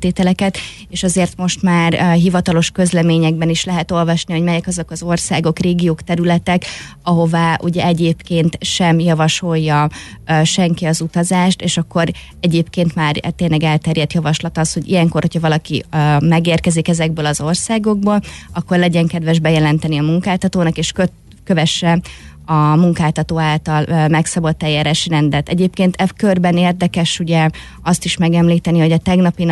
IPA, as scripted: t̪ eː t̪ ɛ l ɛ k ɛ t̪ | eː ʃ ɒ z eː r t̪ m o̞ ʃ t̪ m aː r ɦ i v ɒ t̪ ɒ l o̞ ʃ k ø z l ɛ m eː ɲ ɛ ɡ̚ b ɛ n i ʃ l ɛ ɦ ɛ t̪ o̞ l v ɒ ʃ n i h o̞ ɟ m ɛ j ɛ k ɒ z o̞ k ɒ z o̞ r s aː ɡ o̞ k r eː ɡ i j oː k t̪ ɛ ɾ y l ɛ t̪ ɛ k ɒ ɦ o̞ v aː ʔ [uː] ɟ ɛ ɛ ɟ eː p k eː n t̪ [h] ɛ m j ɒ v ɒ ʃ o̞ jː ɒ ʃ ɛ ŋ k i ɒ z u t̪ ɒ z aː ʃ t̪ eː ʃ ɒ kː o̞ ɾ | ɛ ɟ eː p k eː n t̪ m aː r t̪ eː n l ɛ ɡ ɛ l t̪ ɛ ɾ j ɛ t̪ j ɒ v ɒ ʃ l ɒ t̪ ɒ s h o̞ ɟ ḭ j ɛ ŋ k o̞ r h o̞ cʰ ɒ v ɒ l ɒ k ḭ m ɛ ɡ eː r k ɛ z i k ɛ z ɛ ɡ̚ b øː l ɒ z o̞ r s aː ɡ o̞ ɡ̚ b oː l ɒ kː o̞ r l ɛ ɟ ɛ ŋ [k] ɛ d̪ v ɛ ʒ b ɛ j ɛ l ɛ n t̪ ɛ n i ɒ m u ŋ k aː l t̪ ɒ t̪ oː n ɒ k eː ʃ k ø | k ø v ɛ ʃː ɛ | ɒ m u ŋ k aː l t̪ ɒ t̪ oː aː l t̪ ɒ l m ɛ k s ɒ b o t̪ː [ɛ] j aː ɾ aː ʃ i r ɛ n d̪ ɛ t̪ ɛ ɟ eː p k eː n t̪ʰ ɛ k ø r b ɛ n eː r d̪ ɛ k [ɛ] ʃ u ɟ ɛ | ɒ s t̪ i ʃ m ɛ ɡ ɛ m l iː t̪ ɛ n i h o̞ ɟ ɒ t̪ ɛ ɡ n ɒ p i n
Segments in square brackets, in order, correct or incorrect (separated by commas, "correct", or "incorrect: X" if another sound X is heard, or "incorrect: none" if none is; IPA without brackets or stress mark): incorrect: u, incorrect: ʃ, correct, correct, correct